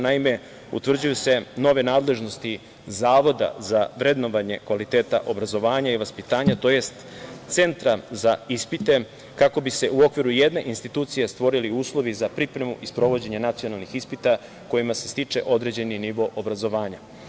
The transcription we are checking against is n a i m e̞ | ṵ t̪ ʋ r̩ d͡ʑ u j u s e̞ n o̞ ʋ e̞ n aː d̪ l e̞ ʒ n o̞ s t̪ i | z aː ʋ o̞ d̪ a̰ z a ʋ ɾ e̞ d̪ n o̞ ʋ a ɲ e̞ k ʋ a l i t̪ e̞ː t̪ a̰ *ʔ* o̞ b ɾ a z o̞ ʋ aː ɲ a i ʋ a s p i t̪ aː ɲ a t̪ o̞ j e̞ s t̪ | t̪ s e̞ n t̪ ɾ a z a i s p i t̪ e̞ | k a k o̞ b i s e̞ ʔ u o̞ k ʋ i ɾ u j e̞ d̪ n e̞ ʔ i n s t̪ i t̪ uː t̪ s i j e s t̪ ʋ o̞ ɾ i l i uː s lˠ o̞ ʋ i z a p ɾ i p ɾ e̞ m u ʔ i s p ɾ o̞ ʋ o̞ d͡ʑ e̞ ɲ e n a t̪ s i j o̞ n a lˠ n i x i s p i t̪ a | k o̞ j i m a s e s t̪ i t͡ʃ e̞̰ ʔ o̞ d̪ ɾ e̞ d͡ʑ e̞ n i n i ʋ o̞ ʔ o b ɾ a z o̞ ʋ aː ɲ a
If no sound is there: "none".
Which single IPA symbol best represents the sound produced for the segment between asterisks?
ʔ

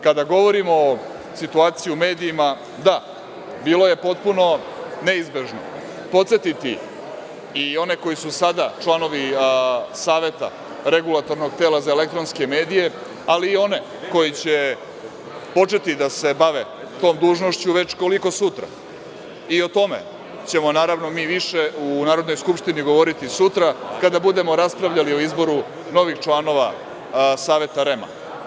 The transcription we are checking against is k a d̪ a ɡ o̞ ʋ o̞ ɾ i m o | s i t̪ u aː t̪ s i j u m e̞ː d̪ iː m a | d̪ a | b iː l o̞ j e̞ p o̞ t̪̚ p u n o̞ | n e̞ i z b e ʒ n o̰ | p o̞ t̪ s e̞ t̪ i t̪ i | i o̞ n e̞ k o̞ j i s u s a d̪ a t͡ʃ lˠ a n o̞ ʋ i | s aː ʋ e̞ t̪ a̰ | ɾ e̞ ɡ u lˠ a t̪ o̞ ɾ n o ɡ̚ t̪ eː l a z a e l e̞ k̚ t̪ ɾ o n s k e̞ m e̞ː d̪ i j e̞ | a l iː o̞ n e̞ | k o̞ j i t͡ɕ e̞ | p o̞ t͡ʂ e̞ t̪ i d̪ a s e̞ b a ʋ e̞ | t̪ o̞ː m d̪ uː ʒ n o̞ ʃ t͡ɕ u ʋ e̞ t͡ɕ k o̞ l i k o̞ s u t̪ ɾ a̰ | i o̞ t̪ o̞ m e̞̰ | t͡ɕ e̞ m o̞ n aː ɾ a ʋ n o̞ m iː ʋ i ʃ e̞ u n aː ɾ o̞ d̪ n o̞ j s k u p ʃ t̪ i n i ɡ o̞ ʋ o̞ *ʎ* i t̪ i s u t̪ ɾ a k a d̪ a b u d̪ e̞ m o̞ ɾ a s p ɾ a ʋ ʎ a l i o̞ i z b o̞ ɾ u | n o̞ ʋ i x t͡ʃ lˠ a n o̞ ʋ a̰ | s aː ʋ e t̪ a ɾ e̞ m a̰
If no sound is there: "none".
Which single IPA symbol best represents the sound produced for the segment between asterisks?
ɾ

